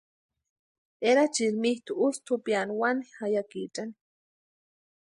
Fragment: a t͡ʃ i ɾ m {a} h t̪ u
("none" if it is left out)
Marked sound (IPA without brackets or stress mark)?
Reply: i